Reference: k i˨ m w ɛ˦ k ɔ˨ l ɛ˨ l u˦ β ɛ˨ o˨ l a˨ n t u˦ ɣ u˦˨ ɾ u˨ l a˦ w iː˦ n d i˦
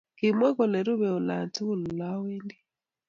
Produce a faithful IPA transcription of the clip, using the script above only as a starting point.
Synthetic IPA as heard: k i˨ m w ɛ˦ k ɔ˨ l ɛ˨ ɾ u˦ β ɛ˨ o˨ l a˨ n t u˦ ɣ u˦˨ l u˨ l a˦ w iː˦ n d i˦